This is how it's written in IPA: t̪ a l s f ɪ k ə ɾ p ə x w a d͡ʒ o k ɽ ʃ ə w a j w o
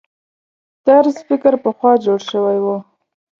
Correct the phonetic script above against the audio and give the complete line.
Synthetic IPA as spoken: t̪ a ɾ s f ɪ k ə ɾ p ə x w ɑ d͡ʒ o ɽ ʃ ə w a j w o